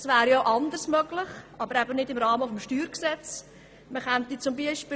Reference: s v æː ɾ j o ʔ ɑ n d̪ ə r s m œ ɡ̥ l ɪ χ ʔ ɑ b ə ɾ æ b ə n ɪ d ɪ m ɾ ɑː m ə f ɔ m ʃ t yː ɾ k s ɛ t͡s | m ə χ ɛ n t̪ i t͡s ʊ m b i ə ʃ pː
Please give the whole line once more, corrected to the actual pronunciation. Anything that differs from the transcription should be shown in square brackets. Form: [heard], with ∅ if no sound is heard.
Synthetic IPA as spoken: s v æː ɾ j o ʔ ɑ n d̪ ə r s m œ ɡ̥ l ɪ χ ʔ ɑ b ə ɾ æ b ə n ɪ d ɪ m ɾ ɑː m ə f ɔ m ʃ t yː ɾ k s ɛ t͡s | m ə χ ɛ n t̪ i t͡s ʊ m b i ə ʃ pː